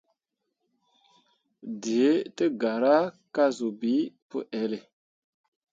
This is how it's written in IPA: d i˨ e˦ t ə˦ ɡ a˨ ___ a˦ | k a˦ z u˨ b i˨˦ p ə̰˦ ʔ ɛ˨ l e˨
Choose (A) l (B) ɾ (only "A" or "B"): B